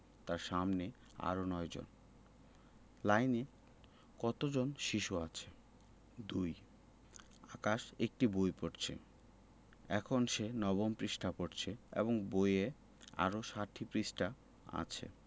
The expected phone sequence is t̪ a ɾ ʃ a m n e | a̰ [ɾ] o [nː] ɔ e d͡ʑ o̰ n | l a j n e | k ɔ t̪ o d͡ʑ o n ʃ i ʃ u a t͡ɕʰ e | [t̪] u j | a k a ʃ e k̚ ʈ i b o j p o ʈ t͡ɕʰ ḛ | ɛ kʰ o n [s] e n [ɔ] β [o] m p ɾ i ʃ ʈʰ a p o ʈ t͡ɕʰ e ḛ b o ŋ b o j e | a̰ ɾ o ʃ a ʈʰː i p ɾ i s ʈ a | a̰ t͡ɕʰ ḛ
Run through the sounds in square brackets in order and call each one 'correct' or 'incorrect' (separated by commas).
correct, incorrect, incorrect, incorrect, correct, correct